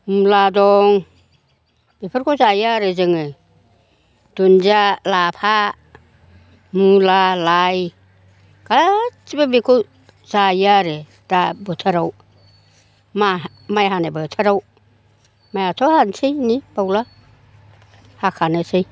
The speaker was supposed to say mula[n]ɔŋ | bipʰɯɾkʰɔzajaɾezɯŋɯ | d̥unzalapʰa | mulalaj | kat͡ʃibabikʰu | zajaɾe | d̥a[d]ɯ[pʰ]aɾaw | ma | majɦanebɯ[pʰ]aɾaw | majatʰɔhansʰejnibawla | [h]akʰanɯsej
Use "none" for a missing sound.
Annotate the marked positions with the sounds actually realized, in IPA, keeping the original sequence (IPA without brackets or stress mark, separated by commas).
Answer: d, b, tʰ, tʰ, h